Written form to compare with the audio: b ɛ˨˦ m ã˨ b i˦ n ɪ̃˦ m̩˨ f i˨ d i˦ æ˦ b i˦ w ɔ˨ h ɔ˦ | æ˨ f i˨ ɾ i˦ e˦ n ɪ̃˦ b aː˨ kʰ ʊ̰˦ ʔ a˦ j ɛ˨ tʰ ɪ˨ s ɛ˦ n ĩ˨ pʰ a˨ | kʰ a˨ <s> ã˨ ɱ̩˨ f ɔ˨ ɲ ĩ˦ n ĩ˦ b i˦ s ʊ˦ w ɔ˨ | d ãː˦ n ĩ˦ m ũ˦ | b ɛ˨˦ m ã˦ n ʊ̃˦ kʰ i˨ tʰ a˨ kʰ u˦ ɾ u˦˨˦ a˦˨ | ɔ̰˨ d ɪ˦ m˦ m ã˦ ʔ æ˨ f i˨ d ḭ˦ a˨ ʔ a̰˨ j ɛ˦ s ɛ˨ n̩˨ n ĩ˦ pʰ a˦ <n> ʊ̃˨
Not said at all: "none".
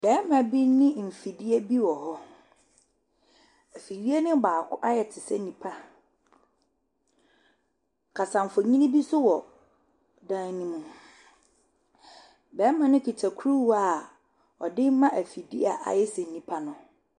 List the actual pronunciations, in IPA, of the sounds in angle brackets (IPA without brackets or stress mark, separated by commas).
s, n